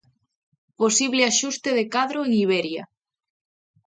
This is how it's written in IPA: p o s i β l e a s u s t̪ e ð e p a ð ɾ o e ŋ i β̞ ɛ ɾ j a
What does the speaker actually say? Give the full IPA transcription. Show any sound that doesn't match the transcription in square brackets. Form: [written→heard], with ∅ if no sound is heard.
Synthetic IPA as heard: p o s i β l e a [s→ʃ] u s t̪ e ð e [p→k] a ð ɾ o e ŋ i β̞ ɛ ɾ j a